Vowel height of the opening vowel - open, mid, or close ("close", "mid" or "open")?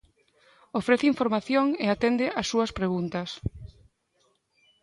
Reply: mid